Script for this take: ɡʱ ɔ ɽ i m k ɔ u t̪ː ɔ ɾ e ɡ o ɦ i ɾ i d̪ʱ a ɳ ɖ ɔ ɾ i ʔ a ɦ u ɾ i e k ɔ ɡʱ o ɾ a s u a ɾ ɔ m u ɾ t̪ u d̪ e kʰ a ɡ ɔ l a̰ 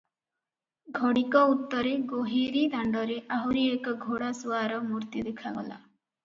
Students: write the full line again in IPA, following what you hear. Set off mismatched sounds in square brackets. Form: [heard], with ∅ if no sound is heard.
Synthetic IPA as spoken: ɡʱ ɔ ɽ i [∅] k ɔ u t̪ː ɔ ɾ e ɡ o ɦ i ɾ i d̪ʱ a ɳ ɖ ɔ ɾ [e] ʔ a ɦ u ɾ i e k ɔ ɡʱ o [ɽ] a s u a ɾ ɔ m u ɾ t̪ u d̪ e kʰ a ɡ ɔ l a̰